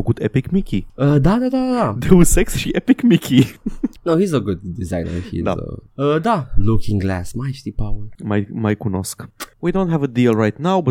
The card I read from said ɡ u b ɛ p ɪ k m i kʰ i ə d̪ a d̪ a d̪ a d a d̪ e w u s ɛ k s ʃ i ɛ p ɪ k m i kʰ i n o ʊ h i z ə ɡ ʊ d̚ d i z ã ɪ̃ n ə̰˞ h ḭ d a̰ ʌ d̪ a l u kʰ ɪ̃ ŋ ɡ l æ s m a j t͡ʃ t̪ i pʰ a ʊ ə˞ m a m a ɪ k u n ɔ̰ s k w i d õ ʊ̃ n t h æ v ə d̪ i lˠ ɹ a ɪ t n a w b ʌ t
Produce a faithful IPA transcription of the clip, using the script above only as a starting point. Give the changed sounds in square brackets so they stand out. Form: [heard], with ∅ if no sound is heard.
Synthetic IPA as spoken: ɡ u [d] ɛ p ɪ k m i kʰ i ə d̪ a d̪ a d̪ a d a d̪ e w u s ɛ k s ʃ i ɛ p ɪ k m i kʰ i n o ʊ h i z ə ɡ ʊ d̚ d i z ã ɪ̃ n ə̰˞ h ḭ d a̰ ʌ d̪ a l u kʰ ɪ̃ ŋ ɡ l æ s m a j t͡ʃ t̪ i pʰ a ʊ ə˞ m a m a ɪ k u n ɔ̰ s k w i d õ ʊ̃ n t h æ v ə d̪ i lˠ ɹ a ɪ t n a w b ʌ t